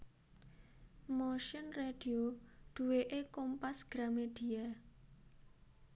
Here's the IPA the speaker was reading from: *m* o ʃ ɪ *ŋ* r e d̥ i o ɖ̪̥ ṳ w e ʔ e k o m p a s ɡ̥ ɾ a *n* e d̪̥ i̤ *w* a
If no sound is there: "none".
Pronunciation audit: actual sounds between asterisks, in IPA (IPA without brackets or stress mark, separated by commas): m, n, m, none